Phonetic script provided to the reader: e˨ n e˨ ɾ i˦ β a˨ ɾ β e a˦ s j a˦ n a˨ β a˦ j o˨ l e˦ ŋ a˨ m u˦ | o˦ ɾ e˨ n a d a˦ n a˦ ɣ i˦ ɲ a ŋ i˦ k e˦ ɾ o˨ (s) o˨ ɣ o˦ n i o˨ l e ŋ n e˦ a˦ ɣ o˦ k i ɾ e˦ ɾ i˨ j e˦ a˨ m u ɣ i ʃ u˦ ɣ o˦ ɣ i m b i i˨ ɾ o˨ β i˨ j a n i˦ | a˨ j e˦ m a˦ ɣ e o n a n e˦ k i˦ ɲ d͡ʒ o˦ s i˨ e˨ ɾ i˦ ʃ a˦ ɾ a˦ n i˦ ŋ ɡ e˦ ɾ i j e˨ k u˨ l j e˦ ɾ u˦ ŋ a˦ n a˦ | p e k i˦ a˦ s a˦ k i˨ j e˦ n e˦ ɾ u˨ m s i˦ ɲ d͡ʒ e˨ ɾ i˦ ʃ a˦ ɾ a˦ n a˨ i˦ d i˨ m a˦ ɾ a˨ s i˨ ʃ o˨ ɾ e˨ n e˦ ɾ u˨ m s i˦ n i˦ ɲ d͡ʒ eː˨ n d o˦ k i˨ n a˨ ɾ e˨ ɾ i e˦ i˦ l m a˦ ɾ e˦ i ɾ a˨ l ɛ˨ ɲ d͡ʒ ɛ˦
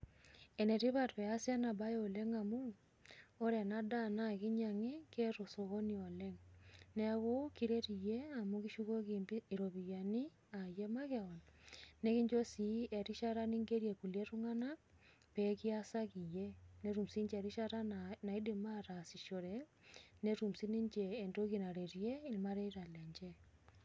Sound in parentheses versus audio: correct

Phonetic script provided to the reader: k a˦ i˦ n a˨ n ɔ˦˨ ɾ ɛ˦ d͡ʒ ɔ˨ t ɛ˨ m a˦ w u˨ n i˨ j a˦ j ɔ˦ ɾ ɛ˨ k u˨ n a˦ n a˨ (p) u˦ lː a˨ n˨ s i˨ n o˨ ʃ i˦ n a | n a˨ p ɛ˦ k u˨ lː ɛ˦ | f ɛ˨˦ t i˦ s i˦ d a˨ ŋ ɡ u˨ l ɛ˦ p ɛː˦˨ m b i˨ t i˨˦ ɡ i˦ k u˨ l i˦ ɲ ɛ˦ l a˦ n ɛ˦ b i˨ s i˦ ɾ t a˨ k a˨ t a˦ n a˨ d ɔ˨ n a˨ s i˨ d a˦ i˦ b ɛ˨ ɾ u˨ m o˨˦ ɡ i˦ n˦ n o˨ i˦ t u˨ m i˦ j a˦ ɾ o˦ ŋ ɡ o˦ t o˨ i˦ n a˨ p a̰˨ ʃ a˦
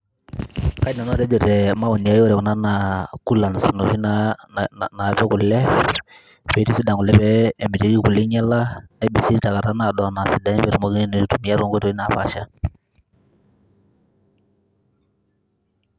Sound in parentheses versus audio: incorrect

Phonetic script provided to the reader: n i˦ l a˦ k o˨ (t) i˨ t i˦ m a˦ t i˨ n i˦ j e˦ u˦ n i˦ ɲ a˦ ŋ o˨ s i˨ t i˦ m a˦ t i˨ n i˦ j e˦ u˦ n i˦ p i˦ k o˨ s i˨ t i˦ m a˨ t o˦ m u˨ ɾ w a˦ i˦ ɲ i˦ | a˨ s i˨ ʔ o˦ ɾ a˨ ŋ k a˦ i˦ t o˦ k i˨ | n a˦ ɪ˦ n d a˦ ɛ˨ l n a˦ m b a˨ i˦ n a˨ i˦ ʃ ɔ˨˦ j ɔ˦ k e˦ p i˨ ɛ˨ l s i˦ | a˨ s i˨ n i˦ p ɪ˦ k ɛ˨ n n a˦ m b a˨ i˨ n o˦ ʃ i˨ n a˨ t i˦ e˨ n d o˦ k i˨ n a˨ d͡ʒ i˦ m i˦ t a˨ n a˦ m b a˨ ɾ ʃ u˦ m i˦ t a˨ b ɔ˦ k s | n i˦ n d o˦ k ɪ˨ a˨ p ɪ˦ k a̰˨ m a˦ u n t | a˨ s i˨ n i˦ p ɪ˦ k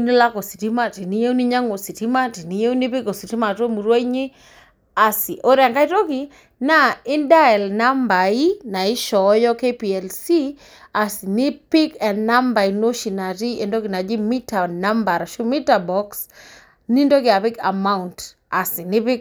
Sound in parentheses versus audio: incorrect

